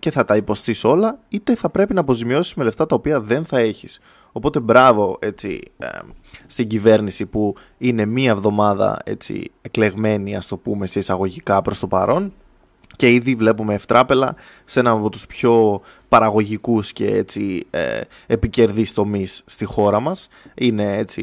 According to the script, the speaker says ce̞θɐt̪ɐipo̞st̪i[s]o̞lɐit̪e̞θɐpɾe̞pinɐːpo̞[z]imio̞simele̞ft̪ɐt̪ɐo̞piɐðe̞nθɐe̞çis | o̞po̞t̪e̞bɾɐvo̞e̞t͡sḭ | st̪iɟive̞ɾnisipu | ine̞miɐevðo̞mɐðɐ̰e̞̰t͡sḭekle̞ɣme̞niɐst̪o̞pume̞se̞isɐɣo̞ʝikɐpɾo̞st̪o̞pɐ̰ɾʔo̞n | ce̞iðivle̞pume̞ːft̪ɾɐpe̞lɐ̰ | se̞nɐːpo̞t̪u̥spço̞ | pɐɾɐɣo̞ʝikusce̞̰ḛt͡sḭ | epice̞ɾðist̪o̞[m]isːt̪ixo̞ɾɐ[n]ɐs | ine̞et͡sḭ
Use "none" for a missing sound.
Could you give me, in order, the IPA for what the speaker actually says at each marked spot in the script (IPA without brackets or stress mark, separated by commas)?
s, z, m, m